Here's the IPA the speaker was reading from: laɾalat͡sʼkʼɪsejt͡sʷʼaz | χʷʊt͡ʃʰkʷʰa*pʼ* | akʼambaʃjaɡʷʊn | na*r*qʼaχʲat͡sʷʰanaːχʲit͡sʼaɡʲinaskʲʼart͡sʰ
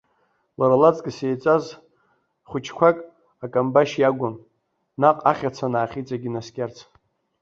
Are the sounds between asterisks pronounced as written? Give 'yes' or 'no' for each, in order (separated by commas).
no, no